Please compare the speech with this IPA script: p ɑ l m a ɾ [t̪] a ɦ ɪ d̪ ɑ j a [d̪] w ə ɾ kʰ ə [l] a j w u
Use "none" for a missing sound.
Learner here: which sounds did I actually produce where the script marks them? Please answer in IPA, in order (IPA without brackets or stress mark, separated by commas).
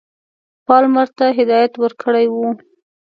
t̪, t̪, ɽ